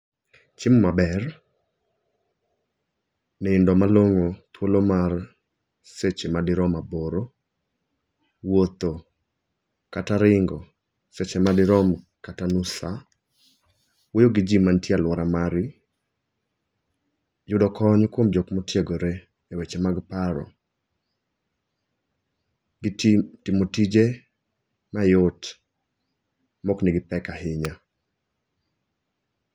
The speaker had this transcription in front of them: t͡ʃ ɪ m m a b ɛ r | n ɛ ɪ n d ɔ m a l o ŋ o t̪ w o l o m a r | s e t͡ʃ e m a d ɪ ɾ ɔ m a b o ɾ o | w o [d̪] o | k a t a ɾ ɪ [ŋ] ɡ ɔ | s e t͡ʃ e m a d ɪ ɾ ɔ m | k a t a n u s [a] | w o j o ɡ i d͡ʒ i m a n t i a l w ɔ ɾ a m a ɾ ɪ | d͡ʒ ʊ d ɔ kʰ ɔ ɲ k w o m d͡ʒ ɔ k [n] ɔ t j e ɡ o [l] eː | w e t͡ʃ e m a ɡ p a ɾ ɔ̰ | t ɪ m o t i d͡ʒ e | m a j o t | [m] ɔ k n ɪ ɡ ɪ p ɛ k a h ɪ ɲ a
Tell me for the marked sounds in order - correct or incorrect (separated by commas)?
incorrect, correct, correct, incorrect, incorrect, correct